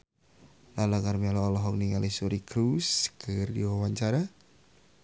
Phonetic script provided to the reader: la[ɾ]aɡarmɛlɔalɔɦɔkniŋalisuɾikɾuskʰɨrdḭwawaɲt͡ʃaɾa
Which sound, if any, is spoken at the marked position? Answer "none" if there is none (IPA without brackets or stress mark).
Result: l